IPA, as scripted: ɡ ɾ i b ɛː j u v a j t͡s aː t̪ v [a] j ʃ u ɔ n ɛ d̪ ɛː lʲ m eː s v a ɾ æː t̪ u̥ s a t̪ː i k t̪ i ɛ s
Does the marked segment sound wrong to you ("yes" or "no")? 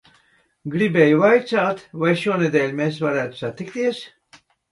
no